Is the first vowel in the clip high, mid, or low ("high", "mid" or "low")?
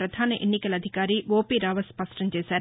low